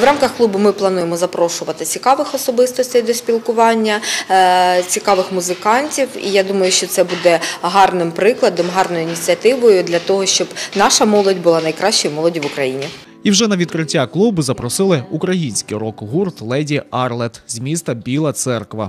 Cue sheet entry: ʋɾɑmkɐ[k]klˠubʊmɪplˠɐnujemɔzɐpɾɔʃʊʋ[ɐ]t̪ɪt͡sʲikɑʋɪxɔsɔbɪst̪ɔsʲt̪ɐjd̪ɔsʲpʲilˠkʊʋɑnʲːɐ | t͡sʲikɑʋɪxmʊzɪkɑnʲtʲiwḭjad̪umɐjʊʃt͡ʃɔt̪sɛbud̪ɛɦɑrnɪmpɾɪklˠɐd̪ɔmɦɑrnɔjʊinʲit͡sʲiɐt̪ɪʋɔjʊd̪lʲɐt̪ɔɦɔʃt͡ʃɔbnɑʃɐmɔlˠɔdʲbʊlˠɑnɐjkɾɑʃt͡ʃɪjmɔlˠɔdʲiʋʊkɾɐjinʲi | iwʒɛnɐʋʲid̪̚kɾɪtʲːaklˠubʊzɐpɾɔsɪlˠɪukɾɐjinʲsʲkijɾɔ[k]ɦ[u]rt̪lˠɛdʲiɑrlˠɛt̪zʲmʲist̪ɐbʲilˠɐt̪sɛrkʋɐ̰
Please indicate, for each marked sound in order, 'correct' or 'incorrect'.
incorrect, correct, correct, correct

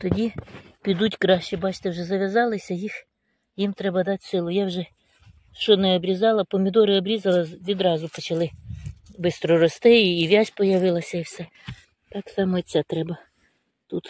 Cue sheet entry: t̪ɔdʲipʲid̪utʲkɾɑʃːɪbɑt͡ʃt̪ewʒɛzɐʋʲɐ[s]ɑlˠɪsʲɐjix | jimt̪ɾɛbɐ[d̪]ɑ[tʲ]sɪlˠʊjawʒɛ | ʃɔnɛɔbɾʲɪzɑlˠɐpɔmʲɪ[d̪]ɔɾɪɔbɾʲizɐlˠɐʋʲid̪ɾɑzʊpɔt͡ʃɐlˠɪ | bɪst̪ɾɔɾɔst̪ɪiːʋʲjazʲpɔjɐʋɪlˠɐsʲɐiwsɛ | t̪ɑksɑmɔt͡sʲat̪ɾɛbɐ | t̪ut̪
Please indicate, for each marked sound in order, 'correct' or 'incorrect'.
incorrect, correct, correct, correct

